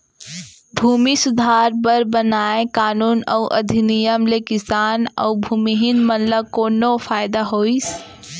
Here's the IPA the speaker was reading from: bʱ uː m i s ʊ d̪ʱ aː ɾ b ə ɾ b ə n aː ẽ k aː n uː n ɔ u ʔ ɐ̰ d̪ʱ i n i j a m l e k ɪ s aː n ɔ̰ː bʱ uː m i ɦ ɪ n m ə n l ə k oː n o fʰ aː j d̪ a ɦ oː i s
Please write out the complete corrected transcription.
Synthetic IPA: bʱ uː m i s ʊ d̪ʱ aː ɾ b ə ɾ b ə n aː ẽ k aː n uː n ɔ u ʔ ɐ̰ d̪ʱ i n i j ə m l e k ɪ s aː n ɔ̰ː bʱ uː m i ɦ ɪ n m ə n l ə k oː n o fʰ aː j d̪ a ɦ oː i s